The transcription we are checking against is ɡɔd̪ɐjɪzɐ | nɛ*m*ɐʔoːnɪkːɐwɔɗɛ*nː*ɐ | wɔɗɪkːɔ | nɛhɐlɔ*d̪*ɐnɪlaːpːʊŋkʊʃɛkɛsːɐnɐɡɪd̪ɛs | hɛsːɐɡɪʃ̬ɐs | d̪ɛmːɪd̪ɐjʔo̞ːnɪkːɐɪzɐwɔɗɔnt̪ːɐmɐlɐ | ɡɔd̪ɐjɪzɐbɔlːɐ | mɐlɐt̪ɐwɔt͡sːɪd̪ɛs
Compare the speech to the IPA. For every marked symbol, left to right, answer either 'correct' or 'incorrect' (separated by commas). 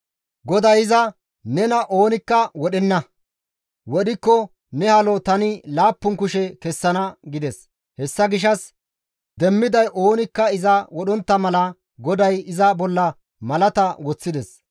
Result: incorrect, correct, incorrect